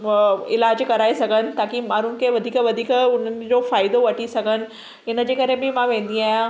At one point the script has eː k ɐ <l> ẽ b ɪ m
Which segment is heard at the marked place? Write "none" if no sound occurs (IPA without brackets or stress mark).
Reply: ɾ